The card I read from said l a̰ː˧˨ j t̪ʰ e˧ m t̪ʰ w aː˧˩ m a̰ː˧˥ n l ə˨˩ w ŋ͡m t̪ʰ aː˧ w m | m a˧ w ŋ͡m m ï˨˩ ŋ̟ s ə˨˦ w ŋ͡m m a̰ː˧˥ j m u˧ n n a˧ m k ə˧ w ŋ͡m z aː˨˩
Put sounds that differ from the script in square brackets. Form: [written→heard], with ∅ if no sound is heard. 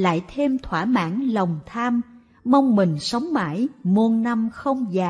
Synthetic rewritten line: l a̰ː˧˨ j t̪ʰ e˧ m t̪ʰ w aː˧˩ m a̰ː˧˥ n l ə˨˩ w ŋ͡m t̪ʰ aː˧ [w→∅] m | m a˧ w ŋ͡m m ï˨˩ ŋ̟ s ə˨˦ w ŋ͡m m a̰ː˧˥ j m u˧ n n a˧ m [k→x] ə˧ w ŋ͡m z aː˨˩